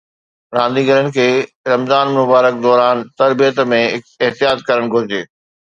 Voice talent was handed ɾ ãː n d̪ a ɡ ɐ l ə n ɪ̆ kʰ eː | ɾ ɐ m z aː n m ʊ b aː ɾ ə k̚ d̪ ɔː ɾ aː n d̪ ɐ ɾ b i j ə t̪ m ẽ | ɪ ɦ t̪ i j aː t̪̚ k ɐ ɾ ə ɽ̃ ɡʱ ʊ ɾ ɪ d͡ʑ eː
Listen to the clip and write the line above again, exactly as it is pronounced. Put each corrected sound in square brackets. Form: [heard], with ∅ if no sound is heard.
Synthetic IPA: ɾ ãː n d̪ [i] ɡ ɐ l ə n ɪ̆ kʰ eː | ɾ ɐ m z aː n m ʊ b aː ɾ ə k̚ d̪ ɔː ɾ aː n [t̪] ɐ ɾ b i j ə t̪ m ẽ | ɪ ɦ t̪ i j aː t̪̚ k ɐ ɾ ə ɽ̃ ɡʱ ʊ ɾ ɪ d͡ʑ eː